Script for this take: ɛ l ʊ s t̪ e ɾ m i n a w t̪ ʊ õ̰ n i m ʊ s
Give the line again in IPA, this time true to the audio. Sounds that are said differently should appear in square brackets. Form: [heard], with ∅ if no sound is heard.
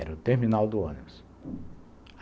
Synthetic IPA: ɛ [ɾ] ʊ [∅] t̪ e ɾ m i n a w [d̪] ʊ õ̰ n i [b] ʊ s